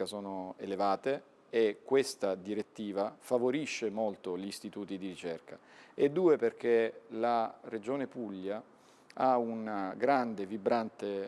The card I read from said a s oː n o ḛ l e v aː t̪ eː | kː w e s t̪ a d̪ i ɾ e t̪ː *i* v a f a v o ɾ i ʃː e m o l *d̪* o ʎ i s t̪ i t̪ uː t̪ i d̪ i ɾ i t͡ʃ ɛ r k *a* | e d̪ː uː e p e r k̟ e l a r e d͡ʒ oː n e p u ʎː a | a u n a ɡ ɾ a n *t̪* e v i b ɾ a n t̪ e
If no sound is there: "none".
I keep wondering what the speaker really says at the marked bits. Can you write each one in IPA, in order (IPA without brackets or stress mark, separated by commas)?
iː, t̪, a, d̪